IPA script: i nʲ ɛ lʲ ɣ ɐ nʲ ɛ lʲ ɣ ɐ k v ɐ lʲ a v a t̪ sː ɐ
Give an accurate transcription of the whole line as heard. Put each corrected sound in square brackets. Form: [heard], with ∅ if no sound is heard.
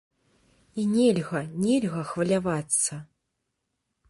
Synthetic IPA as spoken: i nʲ ɛ lʲ ɣ ɐ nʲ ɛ lʲ ɣ ɐ [x] v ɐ lʲ a v a t̪ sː ɐ